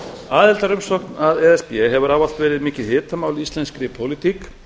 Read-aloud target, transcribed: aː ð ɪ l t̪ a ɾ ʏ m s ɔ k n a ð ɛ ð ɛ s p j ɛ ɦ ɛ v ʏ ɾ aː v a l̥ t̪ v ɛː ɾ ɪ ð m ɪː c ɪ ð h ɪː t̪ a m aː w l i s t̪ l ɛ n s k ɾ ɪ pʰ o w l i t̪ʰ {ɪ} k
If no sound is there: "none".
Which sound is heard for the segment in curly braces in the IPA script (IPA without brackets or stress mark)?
i